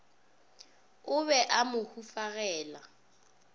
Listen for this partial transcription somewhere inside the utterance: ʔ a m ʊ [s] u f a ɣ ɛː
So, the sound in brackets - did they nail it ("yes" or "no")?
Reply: no